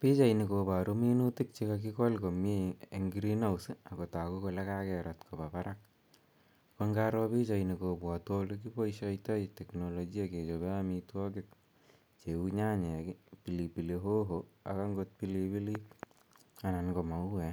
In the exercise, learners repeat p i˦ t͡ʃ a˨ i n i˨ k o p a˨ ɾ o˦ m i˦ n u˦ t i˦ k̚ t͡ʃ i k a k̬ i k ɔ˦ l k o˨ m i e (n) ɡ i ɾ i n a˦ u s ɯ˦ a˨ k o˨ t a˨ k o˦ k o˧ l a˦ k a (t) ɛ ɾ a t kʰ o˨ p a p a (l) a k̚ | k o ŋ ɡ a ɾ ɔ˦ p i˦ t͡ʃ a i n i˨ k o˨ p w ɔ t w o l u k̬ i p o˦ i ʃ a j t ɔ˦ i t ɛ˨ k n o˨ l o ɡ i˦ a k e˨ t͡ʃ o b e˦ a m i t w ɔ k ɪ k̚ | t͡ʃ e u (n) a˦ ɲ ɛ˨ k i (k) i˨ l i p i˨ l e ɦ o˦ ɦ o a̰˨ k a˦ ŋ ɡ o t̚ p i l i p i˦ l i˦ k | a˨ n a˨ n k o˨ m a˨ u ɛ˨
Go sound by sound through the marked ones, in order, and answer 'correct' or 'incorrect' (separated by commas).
incorrect, incorrect, incorrect, incorrect, incorrect